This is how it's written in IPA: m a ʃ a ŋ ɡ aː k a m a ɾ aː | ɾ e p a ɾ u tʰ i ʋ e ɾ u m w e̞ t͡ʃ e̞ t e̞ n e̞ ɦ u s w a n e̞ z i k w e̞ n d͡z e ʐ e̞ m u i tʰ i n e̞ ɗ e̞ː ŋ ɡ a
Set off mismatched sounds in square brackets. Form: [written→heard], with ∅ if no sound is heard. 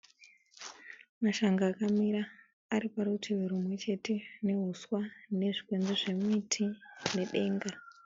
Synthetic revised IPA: m a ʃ a ŋ ɡ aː k a m [a→i] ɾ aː | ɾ [e→i] p a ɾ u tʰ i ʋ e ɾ u m w e̞ t͡ʃ e̞ t e̞ n e̞ ɦ u s w a n e̞ [z→ʐ] i k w e̞ n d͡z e ʐ e̞ m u i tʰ i n e̞ ɗ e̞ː ŋ ɡ a